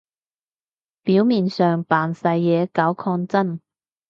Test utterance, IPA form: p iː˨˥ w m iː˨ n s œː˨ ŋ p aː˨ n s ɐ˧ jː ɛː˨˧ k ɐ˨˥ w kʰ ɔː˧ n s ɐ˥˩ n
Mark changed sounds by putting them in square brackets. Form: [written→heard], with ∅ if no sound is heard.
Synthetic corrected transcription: p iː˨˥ w m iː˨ n s œː˨ ŋ p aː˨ n s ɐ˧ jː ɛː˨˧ k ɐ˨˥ w kʰ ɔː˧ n [s→t͡s] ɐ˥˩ n